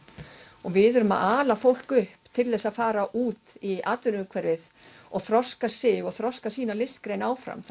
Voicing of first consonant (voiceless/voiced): voiced